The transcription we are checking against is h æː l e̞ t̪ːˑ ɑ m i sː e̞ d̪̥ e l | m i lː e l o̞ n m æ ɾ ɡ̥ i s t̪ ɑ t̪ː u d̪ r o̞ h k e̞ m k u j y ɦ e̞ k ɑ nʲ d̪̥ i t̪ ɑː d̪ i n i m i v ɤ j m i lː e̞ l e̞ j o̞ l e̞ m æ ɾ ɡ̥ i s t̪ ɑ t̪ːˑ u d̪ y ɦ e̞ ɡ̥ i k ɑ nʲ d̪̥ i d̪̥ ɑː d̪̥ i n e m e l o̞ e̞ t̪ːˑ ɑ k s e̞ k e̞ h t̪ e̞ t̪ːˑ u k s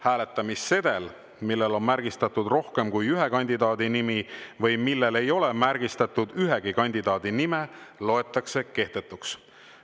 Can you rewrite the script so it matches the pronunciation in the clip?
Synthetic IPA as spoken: h æː l e̞ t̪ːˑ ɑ m i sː e̞ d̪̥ e l | m i lː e l o̞ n m æ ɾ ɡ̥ i s t̪ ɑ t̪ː u d̪ r o̞ h k e̞ m k u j y ɦ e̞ k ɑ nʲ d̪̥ i d̪ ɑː d̪ i n i m i v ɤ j m i lː e̞ l e̞ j o̞ l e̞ m æ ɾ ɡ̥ i s t̪ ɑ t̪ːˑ u d̪ y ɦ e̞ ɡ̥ i k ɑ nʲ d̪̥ i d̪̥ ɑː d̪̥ i n i m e l o̞ e̞ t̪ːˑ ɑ k s e̞ k e̞ h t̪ e̞ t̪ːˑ u k s